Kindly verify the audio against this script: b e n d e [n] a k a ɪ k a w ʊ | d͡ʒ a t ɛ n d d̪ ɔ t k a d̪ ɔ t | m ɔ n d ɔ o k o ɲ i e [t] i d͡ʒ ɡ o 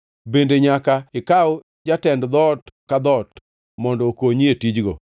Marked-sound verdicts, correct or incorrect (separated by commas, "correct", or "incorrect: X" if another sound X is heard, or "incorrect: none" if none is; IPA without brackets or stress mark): incorrect: ɲ, correct